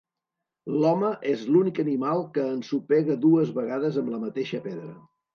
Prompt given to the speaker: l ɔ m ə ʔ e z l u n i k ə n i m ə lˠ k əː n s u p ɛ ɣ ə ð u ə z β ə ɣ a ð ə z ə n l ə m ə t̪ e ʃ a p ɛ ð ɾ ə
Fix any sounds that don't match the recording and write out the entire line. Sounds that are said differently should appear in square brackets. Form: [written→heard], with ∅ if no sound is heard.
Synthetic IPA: l ɔ m ə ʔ e z l u n i k ə n i m [ə→a] lˠ k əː n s u p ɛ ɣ ə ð u ə z β ə ɣ a ð ə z ə [n→m] l ə m ə t̪ e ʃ [a→ə] p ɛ ð ɾ ə